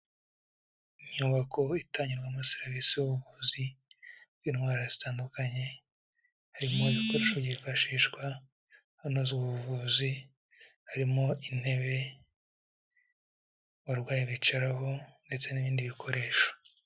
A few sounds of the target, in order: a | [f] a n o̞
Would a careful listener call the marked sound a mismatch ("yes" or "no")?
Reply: yes